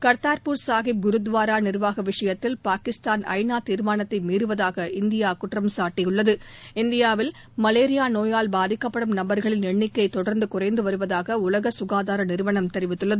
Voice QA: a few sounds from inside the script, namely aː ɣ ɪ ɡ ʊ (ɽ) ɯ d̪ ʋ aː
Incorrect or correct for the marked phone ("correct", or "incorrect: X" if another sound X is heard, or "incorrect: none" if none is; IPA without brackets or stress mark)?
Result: incorrect: ɾ